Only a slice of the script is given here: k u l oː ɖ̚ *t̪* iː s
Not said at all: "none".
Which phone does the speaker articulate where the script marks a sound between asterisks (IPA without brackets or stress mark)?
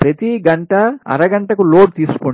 t̪